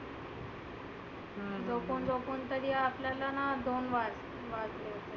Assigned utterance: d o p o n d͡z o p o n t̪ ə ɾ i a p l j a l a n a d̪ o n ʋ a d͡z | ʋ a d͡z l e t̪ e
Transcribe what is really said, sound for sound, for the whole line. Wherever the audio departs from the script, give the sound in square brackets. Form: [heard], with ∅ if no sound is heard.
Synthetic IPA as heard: [d͡z] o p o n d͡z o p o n t̪ ə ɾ i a p l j a l a n a d̪ o n ʋ a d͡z | ʋ a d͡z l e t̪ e